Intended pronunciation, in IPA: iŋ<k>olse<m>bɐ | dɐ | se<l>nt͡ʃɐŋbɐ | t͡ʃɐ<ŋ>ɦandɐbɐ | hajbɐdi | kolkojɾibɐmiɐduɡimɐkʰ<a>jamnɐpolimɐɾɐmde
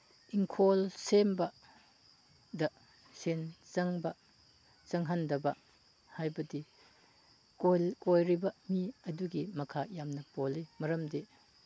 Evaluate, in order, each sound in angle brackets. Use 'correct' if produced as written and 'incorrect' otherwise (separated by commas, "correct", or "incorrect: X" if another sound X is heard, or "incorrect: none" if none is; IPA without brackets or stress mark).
incorrect: kʰ, correct, incorrect: none, correct, correct